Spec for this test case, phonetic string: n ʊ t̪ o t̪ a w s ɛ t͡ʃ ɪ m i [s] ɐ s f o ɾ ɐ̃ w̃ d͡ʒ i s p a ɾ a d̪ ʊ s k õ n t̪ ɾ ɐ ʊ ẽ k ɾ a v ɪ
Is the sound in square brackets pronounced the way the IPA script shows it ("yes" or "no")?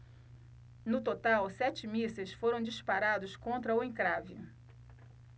yes